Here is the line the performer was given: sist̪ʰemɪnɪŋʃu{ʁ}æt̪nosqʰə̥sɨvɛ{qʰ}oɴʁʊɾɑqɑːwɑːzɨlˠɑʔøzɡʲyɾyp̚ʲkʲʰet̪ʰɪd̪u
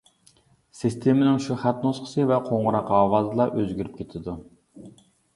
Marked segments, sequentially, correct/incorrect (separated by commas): incorrect, correct